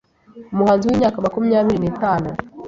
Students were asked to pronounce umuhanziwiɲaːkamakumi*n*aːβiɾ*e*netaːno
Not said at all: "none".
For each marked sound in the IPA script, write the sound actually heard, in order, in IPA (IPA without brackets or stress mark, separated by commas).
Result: ɲ, i